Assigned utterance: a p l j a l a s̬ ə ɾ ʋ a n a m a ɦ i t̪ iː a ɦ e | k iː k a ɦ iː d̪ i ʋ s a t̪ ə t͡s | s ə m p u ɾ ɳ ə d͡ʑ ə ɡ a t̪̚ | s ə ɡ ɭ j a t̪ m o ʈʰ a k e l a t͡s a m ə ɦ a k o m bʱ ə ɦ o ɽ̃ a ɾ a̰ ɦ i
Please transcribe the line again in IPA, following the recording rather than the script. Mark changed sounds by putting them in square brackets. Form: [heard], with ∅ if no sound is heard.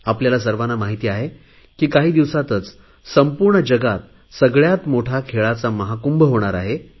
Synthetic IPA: a p l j a l a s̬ ə ɾ ʋ a n a m a ɦ i t̪ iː a ɦ e | k iː k a ɦ iː d̪ i ʋ s a t̪ ə t͡s | s ə m p u ɾ ɳ ə d͡ʑ ə ɡ a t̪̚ | s ə ɡ ɭ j a t̪ m o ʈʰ a [kʰ] e [ɭ] a t͡s a m ə ɦ a k [u] m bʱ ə ɦ o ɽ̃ a ɾ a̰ ɦ [e]